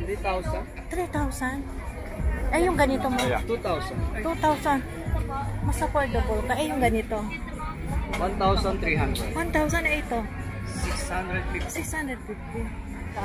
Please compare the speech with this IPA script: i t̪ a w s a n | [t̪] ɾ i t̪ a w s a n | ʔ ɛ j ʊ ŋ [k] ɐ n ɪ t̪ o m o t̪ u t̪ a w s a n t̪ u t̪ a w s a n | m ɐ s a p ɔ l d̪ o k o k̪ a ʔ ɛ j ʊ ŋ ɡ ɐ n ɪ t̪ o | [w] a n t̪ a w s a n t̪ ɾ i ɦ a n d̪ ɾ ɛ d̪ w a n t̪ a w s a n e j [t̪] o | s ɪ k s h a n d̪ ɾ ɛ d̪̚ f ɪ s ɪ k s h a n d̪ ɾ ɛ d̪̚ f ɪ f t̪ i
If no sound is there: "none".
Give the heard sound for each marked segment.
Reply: t̪, ɡ, w, t̪

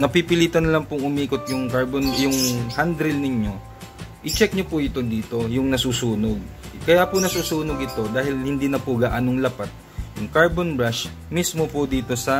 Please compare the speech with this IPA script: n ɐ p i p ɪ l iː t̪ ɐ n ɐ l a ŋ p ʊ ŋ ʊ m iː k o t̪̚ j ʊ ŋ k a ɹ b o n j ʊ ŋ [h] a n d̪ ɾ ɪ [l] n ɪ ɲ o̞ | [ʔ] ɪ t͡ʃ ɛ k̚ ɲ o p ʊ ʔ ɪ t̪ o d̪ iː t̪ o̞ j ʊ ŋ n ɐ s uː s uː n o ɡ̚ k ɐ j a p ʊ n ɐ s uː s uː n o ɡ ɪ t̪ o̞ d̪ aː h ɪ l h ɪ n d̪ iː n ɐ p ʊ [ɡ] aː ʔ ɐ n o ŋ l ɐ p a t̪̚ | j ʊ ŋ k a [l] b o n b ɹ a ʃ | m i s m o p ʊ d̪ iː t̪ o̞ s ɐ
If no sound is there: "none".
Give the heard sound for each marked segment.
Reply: h, l, ʔ, ɡ, ɹ

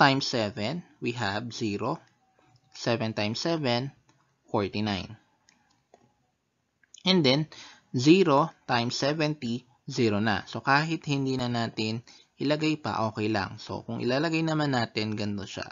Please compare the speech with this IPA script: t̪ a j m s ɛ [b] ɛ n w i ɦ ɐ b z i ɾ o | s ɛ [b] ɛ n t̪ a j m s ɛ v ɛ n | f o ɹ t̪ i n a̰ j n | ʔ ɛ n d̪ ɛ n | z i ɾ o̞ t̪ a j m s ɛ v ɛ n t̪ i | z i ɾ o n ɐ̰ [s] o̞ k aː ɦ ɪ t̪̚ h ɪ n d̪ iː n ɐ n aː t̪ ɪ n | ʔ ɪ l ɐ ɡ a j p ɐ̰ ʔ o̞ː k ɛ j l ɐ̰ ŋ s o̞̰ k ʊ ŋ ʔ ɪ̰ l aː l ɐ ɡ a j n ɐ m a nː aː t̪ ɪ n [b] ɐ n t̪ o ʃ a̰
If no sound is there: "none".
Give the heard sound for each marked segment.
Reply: v, v, s, ɡ

